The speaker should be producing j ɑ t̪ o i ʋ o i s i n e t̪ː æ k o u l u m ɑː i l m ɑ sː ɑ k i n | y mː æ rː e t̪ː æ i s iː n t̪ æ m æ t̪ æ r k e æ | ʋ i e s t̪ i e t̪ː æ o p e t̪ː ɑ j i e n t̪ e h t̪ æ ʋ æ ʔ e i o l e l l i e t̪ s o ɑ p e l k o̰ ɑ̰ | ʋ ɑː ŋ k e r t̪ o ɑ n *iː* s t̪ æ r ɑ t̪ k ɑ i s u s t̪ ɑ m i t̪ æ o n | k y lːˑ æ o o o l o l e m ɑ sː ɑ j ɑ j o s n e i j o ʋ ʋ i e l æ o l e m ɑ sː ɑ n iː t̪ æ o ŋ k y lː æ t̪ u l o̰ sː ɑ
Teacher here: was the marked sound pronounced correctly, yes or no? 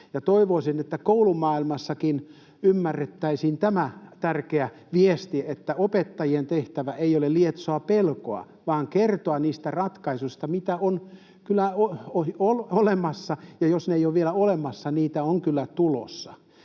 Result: yes